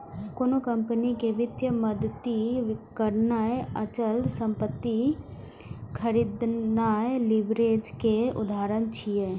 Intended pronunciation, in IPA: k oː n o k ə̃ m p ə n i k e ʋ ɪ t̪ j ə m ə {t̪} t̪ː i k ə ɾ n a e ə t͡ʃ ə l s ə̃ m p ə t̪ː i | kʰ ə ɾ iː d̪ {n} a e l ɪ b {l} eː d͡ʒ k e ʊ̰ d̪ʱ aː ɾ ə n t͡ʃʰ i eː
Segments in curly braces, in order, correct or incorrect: incorrect: d̪, correct, incorrect: ɾ

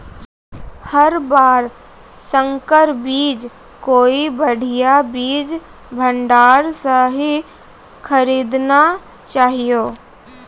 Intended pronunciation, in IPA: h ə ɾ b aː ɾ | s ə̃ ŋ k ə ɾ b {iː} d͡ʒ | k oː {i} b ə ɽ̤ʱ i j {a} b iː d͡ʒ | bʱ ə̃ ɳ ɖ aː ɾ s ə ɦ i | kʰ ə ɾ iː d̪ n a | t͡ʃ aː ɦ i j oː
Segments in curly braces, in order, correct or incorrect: correct, correct, correct

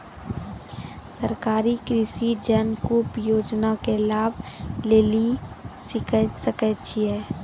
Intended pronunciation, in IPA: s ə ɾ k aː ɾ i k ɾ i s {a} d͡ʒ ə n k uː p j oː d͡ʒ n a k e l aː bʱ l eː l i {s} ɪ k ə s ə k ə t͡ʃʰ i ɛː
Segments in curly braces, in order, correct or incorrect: incorrect: i, correct

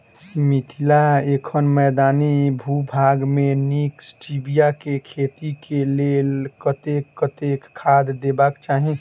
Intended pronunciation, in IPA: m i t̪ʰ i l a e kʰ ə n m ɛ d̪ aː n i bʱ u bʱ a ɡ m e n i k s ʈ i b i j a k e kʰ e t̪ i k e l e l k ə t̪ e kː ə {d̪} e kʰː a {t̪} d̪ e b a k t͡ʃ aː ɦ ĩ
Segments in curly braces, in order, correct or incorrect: incorrect: t̪, incorrect: d̪

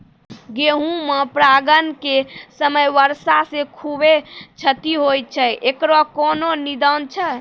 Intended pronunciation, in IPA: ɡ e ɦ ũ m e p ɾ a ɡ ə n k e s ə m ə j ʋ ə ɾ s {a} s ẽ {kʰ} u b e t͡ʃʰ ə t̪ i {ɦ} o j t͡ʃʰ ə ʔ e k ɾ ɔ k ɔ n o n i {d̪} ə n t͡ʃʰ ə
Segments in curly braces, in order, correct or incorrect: correct, correct, correct, correct

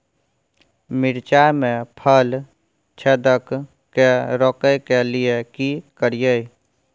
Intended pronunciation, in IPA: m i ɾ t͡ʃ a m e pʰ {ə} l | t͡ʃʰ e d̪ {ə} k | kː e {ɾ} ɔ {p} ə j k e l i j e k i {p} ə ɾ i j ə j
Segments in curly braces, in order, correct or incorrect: correct, correct, correct, incorrect: k, incorrect: k

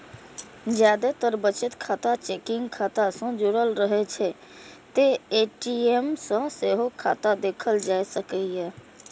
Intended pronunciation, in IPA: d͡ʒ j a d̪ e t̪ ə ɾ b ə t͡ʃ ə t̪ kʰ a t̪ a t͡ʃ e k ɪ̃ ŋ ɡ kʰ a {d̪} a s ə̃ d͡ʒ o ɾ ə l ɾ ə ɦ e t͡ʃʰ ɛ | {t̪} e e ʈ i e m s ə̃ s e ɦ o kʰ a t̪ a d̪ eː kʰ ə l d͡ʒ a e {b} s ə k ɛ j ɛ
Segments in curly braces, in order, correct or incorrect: incorrect: t̪, correct, incorrect: none

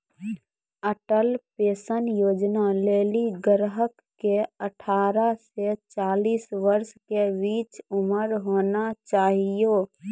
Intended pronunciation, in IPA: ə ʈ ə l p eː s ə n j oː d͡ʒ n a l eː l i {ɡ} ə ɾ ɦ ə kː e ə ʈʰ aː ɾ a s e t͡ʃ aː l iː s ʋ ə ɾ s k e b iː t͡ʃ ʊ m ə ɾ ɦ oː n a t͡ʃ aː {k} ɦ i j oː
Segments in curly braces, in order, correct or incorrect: correct, incorrect: none

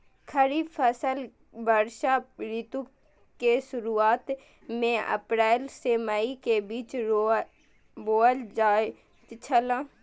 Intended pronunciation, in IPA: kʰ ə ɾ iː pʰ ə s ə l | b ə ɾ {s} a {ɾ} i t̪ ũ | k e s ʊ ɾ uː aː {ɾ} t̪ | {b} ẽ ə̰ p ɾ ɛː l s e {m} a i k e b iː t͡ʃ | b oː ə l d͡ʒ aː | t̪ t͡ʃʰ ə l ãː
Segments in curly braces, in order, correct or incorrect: incorrect: ʃ, correct, incorrect: none, incorrect: m, correct

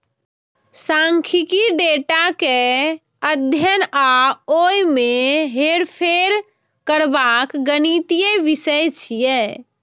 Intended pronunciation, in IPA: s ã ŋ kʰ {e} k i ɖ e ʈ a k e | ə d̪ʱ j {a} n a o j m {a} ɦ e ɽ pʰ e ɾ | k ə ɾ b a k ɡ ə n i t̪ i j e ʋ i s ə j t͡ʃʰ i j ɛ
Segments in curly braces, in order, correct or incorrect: incorrect: i, incorrect: ə, incorrect: e

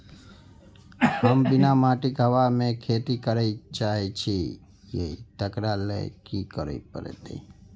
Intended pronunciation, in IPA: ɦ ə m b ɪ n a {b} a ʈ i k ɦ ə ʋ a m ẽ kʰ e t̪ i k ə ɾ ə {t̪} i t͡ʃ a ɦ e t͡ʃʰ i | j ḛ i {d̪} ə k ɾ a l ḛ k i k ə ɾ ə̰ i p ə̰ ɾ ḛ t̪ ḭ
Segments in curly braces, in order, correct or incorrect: incorrect: m, incorrect: none, incorrect: t̪

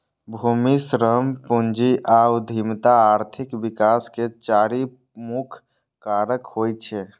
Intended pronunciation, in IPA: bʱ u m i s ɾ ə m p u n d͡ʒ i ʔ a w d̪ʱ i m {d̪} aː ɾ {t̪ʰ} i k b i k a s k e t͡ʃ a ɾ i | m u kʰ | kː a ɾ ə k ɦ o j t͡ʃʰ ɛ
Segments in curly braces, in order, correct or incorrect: incorrect: t̪, correct

